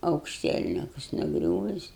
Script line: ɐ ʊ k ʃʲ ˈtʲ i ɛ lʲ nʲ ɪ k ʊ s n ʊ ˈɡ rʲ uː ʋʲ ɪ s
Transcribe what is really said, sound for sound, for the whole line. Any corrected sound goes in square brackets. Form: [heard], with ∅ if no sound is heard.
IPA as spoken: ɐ ʊ k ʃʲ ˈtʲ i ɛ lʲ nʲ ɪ k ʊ s n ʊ ˈɡ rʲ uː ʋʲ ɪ s